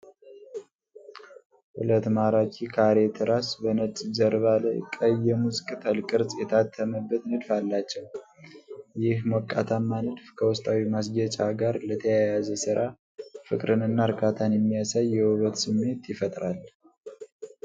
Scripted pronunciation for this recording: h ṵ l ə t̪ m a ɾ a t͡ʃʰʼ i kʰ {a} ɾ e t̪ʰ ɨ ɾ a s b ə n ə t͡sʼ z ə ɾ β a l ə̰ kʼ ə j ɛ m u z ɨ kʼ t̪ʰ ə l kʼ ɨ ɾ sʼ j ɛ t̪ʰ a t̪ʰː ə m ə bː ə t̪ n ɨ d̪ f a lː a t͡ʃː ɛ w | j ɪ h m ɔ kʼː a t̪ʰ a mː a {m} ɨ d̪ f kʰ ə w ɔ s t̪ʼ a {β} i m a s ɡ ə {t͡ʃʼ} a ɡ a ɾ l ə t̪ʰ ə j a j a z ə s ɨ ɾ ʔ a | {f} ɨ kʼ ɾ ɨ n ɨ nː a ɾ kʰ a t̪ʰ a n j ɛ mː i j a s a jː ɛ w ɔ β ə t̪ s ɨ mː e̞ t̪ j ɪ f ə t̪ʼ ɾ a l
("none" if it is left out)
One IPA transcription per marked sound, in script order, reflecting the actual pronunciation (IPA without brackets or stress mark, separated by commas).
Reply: a, n, w, t͡ʃʼ, f